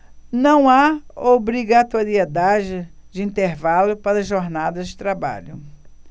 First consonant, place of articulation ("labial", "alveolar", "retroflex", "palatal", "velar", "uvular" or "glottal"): alveolar